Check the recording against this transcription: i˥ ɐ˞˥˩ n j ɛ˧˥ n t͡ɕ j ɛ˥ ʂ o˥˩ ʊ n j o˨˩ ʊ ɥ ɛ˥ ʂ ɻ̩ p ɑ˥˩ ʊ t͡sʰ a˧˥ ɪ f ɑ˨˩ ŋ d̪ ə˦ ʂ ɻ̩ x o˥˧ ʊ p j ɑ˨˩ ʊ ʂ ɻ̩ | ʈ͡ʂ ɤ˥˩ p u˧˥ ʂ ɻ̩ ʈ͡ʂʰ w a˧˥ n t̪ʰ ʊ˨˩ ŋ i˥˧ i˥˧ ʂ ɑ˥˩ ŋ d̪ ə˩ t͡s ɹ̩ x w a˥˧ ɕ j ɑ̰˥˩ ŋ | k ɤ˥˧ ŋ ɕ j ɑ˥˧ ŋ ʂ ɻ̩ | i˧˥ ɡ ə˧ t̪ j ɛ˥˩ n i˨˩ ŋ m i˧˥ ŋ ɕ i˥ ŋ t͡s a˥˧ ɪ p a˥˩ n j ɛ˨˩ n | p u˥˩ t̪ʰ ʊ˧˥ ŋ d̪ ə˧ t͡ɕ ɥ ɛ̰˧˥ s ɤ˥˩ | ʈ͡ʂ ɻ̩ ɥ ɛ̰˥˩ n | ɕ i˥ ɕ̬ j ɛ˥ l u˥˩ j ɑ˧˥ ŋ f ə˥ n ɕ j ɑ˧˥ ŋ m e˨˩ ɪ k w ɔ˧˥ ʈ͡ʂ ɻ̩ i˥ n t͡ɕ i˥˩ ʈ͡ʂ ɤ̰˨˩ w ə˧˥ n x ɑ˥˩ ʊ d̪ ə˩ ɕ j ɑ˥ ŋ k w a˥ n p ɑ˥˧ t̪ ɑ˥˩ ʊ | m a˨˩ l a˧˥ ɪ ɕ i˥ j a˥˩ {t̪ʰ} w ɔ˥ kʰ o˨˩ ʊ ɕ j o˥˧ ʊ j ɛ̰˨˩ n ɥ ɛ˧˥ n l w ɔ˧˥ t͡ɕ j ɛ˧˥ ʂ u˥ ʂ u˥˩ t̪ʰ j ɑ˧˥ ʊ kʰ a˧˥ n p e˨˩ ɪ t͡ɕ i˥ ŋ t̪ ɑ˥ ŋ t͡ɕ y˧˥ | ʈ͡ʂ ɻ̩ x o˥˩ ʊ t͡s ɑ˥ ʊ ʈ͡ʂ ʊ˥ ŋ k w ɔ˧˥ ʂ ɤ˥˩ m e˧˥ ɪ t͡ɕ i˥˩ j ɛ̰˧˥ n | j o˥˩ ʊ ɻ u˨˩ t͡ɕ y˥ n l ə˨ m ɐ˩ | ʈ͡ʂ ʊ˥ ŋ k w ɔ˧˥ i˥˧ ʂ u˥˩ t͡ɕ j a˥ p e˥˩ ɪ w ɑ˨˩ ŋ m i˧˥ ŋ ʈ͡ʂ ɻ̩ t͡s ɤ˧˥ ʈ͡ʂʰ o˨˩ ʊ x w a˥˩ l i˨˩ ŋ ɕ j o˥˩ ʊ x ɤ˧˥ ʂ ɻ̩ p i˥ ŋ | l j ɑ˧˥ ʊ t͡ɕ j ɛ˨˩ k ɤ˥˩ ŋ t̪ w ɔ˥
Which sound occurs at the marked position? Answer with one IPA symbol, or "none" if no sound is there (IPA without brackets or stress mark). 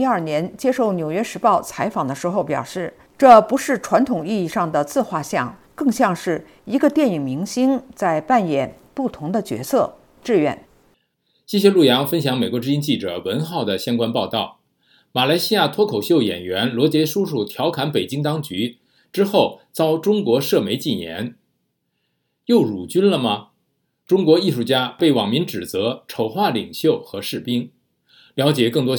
t̪ʰ